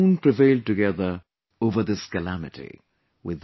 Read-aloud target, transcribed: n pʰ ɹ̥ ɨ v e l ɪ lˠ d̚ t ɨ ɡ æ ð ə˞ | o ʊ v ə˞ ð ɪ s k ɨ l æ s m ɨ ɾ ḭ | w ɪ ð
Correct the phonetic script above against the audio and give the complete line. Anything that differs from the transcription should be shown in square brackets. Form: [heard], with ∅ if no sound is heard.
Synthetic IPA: n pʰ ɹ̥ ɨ v e [∅] ɪ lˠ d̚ t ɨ ɡ [ɛ] ð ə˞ | o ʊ v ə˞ ð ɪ s k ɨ l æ [∅] m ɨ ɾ ḭ | w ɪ ð